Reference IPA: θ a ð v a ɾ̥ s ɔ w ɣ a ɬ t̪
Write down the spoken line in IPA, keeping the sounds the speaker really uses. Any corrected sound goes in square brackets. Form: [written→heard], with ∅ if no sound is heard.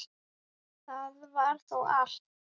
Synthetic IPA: θ a ð v a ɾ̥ [s→θ] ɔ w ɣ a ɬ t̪